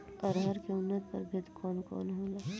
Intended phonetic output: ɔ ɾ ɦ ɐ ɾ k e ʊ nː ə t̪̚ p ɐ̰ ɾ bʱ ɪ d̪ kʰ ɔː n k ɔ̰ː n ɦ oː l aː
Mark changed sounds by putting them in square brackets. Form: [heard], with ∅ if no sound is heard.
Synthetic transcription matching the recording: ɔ ɾ ɦ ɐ ɾ k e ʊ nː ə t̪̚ p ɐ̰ ɾ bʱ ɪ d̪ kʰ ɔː n k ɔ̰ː n ɦ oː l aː